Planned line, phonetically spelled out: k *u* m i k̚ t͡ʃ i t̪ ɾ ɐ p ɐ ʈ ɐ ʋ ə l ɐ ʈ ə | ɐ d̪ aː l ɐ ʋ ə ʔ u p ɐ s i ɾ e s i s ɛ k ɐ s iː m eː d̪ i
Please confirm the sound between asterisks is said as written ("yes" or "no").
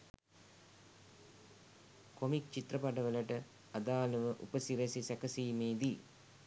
no